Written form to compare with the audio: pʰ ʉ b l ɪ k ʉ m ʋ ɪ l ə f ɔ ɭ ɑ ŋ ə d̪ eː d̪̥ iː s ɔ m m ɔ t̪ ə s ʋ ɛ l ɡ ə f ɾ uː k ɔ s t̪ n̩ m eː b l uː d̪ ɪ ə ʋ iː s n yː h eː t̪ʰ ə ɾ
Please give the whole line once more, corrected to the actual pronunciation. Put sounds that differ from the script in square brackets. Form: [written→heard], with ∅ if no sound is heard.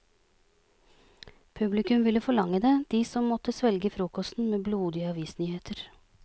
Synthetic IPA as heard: pʰ ʉ b l ɪ k ʉ m ʋ ɪ l ə f ɔ ɭ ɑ ŋ ə d̪ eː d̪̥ iː s ɔ m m ɔ t̪ ə s ʋ ɛ l ɡ ə f ɾ uː k ɔ s t̪ n̩ m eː b l uː d̪ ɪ [ə→ɑ] ʋ iː s n yː h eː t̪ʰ ə ɾ

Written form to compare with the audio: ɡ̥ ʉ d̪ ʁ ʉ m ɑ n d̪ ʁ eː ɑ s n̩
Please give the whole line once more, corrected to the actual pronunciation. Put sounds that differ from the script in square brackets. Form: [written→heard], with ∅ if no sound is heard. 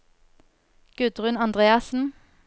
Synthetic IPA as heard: ɡ̥ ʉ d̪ ʁ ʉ [m→n] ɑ n d̪ ʁ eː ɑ s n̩

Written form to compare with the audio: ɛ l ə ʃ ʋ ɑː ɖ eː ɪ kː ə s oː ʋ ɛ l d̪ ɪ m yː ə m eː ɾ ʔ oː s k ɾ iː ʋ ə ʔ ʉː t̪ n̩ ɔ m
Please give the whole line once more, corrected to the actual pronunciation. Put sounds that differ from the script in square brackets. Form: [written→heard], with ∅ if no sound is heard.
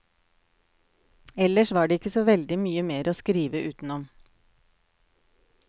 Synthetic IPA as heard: ɛ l ə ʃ ʋ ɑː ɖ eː ɪ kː ə s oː ʋ ɛ l d̪ ɪ m yː ə m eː ɾ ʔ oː s k ɾ iː ʋ ə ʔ ʉː t̪ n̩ ɔ m

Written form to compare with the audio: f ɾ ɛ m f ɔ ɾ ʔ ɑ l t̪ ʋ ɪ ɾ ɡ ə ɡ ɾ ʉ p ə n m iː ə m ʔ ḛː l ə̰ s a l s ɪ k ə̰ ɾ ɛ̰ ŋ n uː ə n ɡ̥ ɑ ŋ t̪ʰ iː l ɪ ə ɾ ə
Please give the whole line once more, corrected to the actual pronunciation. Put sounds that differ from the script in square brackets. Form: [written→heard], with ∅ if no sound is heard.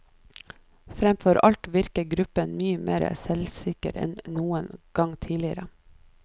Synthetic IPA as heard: f ɾ ɛ m f ɔ ɾ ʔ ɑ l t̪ ʋ ɪ ɾ [ɡ→k] ə ɡ ɾ ʉ p ə n m [iː→yː] ə m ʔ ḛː [l→ɾ] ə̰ s [a→ɛ] l s ɪ k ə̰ ɾ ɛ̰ [ŋ→n] n uː ə n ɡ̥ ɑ ŋ t̪ʰ iː l ɪ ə ɾ ə

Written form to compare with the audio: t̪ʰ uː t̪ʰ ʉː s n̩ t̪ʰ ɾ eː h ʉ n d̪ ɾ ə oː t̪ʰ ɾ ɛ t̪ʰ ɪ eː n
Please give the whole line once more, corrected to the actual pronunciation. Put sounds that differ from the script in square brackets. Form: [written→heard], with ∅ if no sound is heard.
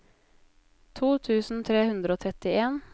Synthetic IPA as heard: t̪ʰ uː t̪ʰ ʉː s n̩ t̪ʰ ɾ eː h ʉ n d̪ ɾ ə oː t̪ʰ ɾ ɛ [t̪ʰ→t̪] ɪ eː n

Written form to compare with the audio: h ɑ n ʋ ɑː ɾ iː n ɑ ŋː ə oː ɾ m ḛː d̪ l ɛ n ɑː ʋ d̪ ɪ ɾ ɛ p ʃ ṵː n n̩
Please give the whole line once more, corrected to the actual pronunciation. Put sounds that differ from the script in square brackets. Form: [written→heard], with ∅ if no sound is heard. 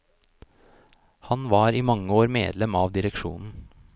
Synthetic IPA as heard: h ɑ n ʋ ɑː ɾ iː [n→m] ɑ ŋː ə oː ɾ m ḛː d̪ l ɛ [n→m] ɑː ʋ d̪ ɪ ɾ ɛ [p→k] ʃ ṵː n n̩

